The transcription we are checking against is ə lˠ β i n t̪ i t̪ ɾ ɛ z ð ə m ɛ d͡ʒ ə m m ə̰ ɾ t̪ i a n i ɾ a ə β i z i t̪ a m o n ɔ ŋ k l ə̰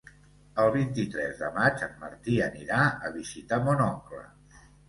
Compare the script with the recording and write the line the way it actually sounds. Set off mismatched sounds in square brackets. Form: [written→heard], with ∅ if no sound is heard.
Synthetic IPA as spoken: ə lˠ β i n t̪ i t̪ ɾ ɛ z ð ə m [ɛ→a] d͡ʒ ə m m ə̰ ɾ t̪ i [a→ə] n i ɾ a ə β i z i t̪ a m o n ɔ ŋ k l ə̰